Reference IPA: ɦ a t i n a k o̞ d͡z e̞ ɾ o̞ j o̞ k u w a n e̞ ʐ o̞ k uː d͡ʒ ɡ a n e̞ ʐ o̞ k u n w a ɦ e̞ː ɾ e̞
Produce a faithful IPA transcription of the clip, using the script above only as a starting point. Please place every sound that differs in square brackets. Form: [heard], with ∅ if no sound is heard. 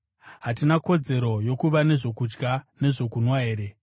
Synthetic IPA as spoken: ɦ a t i n a k o̞ d͡z e̞ ɾ o̞ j o̞ k u [ʋ] a n e̞ ʐ o̞ k [u] d͡ʒ ɡ a n e̞ ʐ o̞ k u n w a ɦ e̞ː ɾ e̞

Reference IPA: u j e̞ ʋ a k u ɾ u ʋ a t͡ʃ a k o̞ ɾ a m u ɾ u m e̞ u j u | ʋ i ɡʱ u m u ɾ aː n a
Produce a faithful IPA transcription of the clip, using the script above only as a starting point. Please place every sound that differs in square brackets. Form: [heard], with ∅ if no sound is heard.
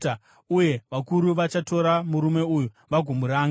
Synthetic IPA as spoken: u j e̞ ʋ a k u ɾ u ʋ a t͡ʃ a [t] o̞ ɾ a m u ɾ u m e̞ u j u | ʋ [a] ɡʱ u m u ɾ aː [ŋ] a

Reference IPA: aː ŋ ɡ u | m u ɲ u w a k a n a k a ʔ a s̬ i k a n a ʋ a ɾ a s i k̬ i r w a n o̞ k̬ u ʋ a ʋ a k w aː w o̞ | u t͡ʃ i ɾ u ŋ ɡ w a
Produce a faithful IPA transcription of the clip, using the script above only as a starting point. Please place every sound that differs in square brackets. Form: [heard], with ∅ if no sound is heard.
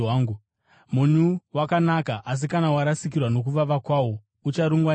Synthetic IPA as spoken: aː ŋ ɡ u | m u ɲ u w a k a n a k a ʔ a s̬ i k a n a [w] a ɾ a s i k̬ i r w a n o̞ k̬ u ʋ a ʋ a k w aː w o̞ | u t͡ʃ [a] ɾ u ŋ ɡ w a

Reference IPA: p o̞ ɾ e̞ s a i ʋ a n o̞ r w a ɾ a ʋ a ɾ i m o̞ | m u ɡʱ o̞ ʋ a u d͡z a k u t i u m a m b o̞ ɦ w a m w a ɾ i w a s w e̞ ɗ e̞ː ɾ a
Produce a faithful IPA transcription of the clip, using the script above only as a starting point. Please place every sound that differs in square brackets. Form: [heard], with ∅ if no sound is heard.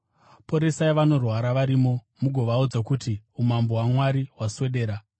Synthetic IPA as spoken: p o̞ ɾ e̞ s a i ʋ a n o̞ r w a ɾ a ʋ a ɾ i m o̞ | m u ɡʱ o̞ ʋ a u d͡z a k u t i u m a m b o̞ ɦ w a m w a ɾ i w a s w e̞ ɗ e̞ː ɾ a

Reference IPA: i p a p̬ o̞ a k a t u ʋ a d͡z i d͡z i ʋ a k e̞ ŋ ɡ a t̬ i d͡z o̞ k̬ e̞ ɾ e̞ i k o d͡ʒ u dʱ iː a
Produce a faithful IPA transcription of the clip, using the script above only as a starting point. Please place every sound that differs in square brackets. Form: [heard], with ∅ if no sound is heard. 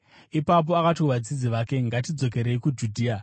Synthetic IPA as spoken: i p a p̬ o̞ a k a t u ʋ a d͡z i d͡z i ʋ a k e̞ ŋ ɡ a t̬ i d͡z o̞ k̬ e̞ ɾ e̞ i k [u] d͡ʒ u dʱ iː a

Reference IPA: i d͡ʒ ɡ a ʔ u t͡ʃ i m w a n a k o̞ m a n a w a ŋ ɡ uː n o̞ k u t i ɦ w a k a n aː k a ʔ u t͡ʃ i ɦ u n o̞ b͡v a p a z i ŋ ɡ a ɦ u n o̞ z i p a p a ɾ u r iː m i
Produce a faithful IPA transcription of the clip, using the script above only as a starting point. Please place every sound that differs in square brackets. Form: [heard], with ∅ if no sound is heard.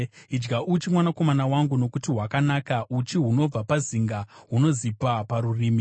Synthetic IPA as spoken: i d͡ʒ ɡ a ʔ u t͡ʃ i m w a n a k o̞ m a n a w a ŋ ɡ [u] n o̞ k u t i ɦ w a k a n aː k a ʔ u t͡ʃ i ɦ u n o̞ b͡v a p a z i ŋ ɡ a ɦ u n o̞ z i p a p a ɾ u r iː m i

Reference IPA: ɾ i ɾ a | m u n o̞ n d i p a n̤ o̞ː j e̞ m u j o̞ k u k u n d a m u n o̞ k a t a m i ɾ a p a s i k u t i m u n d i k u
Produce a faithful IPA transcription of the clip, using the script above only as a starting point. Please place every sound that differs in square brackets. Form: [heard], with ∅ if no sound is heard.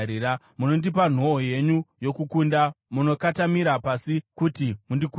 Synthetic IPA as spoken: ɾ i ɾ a | m u n o̞ n d i p a n̤ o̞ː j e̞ [ɲ] u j o̞ k u k u n d a m u n o̞ k a t a m i ɾ a p a s i k u t i m u n d i k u

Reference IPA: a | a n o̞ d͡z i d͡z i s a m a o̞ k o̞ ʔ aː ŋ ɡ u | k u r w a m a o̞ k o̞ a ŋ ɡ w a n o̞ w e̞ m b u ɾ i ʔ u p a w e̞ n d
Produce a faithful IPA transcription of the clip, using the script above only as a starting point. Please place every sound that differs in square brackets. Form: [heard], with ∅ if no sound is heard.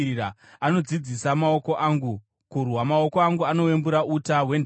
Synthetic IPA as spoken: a | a n o̞ d͡z i d͡z i s a m a o̞ k o̞ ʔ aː ŋ ɡ u | k u r w a m a o̞ k o̞ a ŋ ɡ [u] a n o̞ w e̞ m b u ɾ [a] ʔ u [t] a w e̞ n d

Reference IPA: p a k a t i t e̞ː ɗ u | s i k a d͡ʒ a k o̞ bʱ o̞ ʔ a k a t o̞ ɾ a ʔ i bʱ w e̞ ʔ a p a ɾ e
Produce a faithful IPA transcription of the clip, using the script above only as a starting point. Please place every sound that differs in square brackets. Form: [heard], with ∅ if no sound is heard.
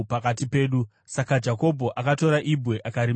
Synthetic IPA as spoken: p a k a t i [p] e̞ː ɗ u | s [a] k a d͡ʒ a k o̞ bʱ o̞ ʔ a k a t o̞ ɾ a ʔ i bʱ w e̞ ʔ a [k] a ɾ [i]

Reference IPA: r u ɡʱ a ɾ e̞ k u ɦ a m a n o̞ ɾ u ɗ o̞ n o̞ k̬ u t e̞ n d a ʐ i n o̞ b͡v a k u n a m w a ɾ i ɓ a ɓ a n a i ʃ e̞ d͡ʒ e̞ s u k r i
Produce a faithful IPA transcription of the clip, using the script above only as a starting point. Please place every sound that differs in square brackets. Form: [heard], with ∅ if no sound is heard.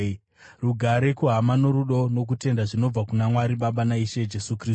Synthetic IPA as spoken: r u ɡʱ a ɾ e̞ k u ɦ a m a n o̞ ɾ u ɗ o̞ n o̞ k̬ u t e̞ n d a ʐ i n o̞ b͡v a k u n a m w a ɾ i ɓ a ɓ a n a i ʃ e̞ d͡ʒ e̞ s u k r i

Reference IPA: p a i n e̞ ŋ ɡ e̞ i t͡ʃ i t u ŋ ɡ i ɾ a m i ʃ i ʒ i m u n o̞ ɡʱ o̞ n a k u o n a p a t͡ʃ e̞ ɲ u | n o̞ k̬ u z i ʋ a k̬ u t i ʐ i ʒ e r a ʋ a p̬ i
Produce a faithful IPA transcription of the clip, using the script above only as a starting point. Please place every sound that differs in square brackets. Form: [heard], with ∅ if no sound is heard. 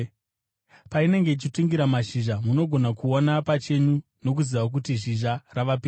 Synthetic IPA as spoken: p a i n e̞ ŋ ɡ e̞ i t͡ʃ i t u ŋ ɡ i ɾ a m [a] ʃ i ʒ [a] m u n o̞ ɡʱ o̞ n a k u o n a p a t͡ʃ e̞ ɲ u | n o̞ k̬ u z i ʋ a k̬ u t i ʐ i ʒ [a] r a ʋ a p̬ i

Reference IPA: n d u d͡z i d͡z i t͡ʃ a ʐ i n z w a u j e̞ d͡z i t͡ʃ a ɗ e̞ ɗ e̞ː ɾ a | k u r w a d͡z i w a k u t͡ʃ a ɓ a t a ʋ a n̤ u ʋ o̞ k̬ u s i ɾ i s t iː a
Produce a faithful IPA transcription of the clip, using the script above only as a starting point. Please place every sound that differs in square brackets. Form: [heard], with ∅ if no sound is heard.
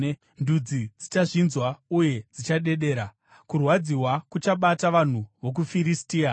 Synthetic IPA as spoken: n d u d͡z i d͡z i t͡ʃ a ʐ i n z w a u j e̞ d͡z i t͡ʃ a ɗ e̞ ɗ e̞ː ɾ a | k u r w a d͡z i w a k u t͡ʃ a ɓ a t a ʋ a n̤ u ʋ o̞ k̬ u [f] i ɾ i s t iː a

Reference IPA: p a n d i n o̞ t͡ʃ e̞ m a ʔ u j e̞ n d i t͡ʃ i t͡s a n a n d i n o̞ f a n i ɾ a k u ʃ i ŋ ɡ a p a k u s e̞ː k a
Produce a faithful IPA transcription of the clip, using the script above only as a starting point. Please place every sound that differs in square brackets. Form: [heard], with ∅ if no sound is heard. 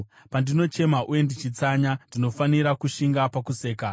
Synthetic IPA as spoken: p a n d i n o̞ t͡ʃ e̞ m a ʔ u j e̞ n d i t͡ʃ i t͡s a [ɲ] a n d i n o̞ f a n i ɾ a k u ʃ i ŋ ɡ a p a k u s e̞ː k a

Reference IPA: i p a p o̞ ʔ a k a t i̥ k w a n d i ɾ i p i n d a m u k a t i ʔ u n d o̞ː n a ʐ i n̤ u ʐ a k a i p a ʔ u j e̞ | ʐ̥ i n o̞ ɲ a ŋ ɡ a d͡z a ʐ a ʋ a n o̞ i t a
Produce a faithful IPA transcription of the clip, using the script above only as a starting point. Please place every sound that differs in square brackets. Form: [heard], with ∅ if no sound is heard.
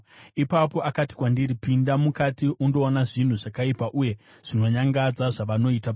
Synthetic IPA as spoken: i p a p o̞ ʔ a k a t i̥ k w a n d i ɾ i p i n d a m u k a t i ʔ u n d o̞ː n a ʐ i n̤ u ʐ a k a i p a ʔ u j e̞ | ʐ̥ i n o̞ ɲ a ŋ ɡ a d͡z a ʐ a ʋ a n o̞ i t a

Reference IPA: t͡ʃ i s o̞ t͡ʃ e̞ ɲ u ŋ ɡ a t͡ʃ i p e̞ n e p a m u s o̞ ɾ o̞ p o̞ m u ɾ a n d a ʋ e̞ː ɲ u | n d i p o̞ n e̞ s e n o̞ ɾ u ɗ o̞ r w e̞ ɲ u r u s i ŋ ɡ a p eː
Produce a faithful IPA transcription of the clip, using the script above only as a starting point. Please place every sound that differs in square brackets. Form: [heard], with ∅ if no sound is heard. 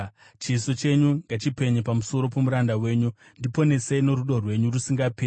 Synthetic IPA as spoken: t͡ʃ i s o̞ t͡ʃ e̞ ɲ u ŋ ɡ a t͡ʃ i p e̞ [ɲ] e p a m u s o̞ ɾ o̞ p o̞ m u ɾ a n d a [w] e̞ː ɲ u | n d i p o̞ n e̞ s e n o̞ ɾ u ɗ o̞ r w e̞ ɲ u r u s i ŋ ɡ a p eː

